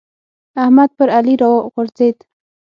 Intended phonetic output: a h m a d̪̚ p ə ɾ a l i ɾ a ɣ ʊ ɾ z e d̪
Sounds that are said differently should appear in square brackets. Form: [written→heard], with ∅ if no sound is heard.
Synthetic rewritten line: a h m a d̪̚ p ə ɾ a l i ɾ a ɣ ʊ ɾ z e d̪